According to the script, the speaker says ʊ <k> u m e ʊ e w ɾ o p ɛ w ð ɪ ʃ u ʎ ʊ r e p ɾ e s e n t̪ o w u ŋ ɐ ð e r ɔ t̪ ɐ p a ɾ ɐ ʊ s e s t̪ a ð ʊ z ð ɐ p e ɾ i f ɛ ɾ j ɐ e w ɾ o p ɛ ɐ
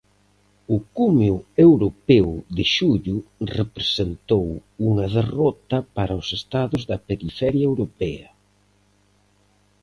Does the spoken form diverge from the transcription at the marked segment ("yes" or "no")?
no